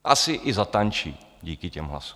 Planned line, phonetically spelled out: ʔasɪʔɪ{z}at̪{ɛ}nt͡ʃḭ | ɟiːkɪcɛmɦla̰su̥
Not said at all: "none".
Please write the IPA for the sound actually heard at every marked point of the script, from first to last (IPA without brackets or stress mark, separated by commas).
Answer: z, a